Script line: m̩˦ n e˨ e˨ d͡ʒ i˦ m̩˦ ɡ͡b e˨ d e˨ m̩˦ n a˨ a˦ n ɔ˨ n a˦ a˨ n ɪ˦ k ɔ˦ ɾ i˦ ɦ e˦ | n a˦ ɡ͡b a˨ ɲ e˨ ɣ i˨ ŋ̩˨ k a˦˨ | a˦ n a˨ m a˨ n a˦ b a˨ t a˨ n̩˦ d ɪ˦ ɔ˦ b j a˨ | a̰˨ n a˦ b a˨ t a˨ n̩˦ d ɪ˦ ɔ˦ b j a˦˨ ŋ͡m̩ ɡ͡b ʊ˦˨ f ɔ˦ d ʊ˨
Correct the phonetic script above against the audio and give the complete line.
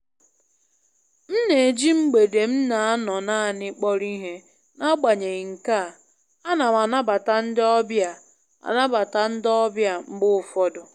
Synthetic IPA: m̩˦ n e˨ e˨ d͡ʒ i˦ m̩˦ ɡ͡b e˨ d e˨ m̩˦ n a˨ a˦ n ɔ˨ n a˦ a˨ n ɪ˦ k͡p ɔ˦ ɾ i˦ ɦ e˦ | n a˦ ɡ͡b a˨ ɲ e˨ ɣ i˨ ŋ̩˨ k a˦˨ | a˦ n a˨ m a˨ n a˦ b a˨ t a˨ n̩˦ d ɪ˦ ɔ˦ b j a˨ | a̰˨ n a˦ b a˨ t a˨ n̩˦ d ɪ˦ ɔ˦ b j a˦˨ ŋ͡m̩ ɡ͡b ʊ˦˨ f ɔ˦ d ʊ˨

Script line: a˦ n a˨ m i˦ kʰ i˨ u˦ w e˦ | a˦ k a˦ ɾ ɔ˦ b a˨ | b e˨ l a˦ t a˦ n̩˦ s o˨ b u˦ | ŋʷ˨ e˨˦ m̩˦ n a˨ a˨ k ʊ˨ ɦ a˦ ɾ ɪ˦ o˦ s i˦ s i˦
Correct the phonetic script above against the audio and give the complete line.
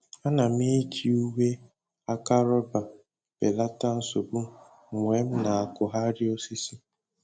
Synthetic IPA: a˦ n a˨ m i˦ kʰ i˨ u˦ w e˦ | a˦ k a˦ ɾ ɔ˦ b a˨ | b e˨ l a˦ t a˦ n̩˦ s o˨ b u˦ | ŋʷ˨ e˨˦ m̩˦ n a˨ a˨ k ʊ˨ ɦ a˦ ɾ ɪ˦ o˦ s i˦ s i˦

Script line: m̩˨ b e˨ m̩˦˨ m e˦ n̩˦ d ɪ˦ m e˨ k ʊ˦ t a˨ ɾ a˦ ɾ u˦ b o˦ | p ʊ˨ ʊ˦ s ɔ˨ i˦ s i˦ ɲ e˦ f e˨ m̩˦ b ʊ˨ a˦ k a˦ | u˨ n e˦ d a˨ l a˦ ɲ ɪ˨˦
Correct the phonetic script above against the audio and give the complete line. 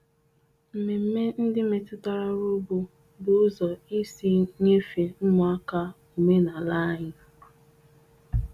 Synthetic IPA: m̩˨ m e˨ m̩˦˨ m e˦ n̩˦ d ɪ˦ m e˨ t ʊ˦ t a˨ ɾ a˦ ɾ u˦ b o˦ | b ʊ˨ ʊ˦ z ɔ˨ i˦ s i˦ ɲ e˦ f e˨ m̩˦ m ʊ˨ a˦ k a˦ | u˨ m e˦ n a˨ l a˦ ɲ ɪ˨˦

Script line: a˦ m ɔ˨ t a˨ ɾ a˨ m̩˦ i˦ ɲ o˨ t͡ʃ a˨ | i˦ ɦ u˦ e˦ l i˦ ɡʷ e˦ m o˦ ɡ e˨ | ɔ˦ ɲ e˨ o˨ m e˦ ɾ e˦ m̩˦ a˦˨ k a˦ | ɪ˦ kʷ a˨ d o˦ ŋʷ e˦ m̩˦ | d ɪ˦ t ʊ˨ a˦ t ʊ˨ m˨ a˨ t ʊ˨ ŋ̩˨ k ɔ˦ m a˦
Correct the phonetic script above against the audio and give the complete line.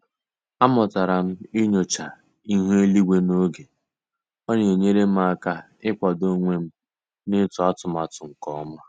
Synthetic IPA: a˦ m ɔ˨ t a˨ ɾ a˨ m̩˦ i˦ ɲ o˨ t͡ʃ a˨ | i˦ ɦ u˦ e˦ l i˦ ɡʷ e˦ n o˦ ɡ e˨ | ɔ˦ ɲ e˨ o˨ ɲ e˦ ɾ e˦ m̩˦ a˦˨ k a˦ | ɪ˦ kʷ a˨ d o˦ ŋʷ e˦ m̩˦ | n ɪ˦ t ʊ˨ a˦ t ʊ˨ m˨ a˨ t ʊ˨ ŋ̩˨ k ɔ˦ m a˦

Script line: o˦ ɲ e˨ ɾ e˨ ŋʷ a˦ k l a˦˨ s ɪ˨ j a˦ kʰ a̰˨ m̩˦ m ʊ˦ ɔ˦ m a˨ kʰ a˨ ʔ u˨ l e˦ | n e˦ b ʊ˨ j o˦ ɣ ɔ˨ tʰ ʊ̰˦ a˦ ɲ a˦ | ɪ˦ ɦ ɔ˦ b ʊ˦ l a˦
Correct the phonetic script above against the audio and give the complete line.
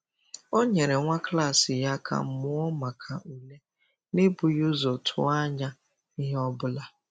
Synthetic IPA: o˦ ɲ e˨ ɾ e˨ ŋʷ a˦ k l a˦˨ s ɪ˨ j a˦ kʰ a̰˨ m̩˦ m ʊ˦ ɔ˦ m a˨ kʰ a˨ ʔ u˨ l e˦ | n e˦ b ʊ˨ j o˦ z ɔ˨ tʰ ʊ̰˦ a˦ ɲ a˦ | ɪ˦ ɦ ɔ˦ b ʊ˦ l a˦

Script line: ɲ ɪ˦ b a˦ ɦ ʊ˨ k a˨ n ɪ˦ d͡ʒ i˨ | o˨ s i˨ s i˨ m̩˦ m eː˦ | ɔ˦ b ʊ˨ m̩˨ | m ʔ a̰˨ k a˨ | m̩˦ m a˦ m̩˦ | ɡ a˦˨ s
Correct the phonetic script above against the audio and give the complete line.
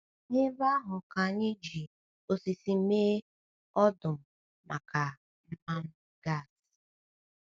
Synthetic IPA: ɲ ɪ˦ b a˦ ɦ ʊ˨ k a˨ ɲ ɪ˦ d͡ʒ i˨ | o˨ s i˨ s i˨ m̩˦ m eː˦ | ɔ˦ d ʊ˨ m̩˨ | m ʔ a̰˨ k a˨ | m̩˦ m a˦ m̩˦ | ɡ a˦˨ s

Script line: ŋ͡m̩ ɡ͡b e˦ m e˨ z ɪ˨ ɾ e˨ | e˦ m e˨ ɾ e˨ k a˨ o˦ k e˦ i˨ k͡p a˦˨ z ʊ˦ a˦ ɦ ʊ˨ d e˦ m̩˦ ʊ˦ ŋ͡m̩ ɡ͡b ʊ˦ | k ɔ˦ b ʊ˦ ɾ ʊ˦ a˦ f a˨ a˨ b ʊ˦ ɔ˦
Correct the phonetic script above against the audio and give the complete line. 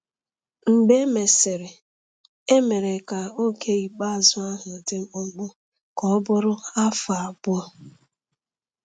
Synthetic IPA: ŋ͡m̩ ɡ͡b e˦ m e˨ s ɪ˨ ɾ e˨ | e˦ m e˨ ɾ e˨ k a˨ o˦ k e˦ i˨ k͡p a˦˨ z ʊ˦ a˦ ɦ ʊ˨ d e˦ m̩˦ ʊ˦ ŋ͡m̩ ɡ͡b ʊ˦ | k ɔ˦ b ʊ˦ ɾ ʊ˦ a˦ f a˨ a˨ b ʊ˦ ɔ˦

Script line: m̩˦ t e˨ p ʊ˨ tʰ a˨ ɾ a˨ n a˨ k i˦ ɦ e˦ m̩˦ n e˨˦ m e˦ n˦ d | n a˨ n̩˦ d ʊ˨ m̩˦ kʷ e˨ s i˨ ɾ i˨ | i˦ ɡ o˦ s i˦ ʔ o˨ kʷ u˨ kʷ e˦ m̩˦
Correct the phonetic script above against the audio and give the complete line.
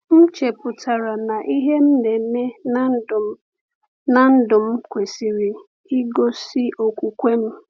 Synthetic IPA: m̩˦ t͡ʃ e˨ p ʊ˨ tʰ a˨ ɾ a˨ n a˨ ʔ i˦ ɦ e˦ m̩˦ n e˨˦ m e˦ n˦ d | n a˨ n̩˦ d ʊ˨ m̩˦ kʷ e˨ s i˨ ɾ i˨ | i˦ ɡ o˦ s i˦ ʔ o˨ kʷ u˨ kʷ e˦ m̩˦

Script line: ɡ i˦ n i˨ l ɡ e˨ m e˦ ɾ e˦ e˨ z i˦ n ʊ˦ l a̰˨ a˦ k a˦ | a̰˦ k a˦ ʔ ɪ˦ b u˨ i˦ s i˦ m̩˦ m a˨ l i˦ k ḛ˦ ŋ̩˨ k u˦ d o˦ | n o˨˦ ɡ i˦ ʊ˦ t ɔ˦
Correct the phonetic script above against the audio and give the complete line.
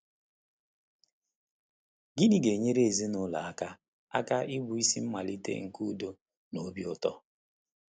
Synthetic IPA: ɡ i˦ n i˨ ɡ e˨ ɲ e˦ ɾ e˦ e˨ z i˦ n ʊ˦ l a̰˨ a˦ k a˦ | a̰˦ k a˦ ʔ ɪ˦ b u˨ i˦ s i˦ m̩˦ m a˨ l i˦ t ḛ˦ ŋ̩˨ k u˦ d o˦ | n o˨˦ b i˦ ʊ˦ t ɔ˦

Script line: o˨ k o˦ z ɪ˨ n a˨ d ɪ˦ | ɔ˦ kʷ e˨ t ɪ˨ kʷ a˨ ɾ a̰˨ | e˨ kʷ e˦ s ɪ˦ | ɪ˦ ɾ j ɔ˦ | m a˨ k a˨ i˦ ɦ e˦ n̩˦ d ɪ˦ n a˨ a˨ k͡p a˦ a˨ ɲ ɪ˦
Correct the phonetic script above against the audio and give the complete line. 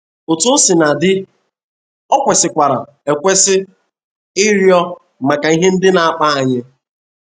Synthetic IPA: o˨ t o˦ s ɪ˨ n a˨ d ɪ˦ | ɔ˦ kʷ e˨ s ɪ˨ kʷ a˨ ɾ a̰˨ | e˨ kʷ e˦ s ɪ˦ | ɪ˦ ɾ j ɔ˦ | m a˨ k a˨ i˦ ɦ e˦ n̩˦ d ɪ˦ n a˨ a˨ k͡p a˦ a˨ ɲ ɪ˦

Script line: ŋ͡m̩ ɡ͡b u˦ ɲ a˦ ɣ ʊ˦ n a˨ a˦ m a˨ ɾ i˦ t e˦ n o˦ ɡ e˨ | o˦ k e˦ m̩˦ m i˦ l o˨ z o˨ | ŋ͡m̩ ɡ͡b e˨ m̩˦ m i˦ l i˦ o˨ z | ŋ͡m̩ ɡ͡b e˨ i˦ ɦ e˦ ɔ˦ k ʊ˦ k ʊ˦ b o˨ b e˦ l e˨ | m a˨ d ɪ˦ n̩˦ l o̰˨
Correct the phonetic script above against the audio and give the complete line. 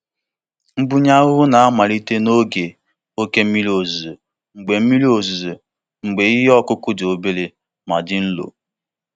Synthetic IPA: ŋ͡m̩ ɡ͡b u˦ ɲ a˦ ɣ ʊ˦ n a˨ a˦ m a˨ ɾ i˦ t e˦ n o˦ ɡ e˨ | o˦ k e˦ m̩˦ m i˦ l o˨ z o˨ | ŋ͡m̩ ɡ͡b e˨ m̩˦ m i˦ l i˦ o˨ z | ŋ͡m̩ ɡ͡b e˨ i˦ ɦ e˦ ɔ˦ k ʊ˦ k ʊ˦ d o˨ b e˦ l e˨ | m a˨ d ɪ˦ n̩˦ l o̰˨

